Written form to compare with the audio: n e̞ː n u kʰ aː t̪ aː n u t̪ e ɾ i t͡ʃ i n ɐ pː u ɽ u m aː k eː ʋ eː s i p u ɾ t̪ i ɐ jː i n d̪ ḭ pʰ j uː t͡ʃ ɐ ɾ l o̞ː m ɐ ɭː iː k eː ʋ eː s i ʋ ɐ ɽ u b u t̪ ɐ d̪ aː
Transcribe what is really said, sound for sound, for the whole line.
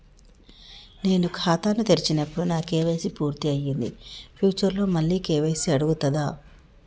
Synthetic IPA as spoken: n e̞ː n u kʰ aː t̪ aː n u t̪ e ɾ i t͡ʃ i n ɐ pː u ɽ u n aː k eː ʋ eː s i p uː ɾ t̪ i ɐ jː i n d̪ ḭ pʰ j uː t͡ʃ ɐ ɾ l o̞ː m ɐ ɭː iː k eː ʋ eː s i ɐ ɽ u ɡ u t̪ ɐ d̪ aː